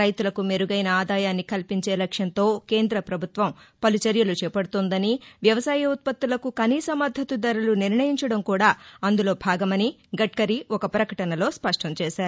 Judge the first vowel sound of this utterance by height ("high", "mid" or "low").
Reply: low